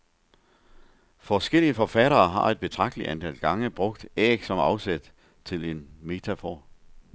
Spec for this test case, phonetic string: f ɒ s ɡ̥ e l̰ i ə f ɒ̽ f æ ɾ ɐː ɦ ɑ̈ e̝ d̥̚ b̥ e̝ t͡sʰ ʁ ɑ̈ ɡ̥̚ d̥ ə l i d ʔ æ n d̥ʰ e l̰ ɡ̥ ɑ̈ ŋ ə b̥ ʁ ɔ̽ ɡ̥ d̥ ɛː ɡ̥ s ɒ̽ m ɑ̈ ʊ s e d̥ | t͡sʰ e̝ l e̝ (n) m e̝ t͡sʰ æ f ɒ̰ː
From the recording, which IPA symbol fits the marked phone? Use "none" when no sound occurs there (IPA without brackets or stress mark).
n